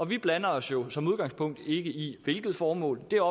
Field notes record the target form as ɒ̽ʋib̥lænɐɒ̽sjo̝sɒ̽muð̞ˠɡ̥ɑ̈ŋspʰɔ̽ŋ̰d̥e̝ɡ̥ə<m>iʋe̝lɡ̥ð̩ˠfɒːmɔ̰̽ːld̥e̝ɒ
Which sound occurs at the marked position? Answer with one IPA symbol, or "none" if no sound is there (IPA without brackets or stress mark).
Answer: none